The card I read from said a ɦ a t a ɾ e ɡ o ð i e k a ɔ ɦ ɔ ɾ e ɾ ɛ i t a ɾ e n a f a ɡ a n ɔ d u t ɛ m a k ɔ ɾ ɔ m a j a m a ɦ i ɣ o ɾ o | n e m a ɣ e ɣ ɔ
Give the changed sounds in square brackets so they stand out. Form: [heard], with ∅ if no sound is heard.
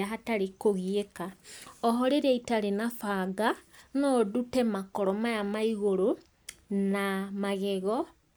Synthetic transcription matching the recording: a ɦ a t a ɾ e [k] o [ɣ] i e k a ɔ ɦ ɔ ɾ e ɾ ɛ i t a ɾ e n a f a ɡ a n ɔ d u t ɛ m a k ɔ ɾ ɔ m a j a m a [∅] i ɣ o ɾ o | n [a] m a ɣ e ɣ ɔ